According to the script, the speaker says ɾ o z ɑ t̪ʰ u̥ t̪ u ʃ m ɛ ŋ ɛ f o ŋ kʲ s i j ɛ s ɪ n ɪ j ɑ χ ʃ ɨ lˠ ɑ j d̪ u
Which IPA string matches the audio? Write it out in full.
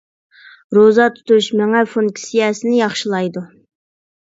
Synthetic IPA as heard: ɾ o z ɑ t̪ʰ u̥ t̪ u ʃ m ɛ ŋ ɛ f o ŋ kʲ s i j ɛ s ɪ n ɪ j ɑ χ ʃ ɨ lˠ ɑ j d̪ u